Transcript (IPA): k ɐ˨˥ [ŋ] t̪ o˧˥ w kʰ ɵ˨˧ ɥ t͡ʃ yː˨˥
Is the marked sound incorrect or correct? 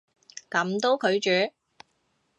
incorrect